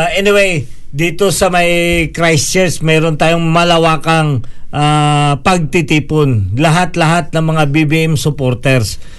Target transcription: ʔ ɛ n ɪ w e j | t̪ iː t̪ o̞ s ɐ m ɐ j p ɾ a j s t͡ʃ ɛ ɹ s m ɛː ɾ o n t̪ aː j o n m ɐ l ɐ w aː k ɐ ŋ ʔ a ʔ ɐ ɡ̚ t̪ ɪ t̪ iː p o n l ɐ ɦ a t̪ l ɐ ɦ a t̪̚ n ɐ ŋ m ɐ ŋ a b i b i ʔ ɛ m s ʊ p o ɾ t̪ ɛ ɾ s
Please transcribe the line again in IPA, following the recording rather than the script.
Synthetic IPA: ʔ ɛ n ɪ w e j | d̪ iː t̪ o̞ s ɐ m ɐ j k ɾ a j s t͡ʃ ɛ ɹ s m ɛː ɾ o n t̪ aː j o ŋ m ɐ l ɐ w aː k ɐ ŋ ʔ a p ɐ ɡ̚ t̪ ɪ t̪ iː p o n l ɐ ɦ a t̪ l ɐ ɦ a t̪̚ n ɐ ŋ m ɐ ŋ a b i b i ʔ ɛ m s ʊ p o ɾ t̪ ɛ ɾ s